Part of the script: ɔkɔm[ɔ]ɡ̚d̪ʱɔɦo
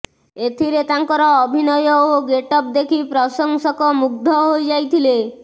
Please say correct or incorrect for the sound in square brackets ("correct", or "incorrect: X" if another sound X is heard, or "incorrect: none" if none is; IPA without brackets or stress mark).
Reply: incorrect: u